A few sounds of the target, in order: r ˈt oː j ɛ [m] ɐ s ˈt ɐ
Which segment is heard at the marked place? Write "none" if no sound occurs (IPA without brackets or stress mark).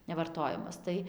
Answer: m